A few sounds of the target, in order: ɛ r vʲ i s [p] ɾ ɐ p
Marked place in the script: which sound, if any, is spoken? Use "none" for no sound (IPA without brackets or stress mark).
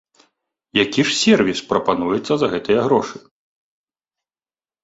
p